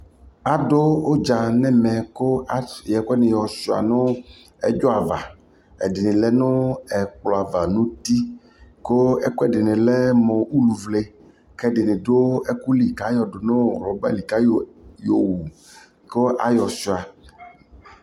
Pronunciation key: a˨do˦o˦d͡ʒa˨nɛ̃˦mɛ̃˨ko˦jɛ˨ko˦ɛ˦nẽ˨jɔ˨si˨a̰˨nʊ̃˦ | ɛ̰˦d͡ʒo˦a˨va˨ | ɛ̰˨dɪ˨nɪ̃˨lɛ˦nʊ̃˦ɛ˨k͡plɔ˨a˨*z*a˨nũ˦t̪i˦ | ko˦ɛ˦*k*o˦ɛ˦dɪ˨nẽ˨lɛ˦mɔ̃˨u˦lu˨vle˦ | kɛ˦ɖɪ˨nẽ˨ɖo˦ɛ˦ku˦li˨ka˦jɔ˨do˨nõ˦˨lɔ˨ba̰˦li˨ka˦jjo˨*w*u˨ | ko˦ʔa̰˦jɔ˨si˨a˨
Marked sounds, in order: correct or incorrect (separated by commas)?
incorrect, correct, correct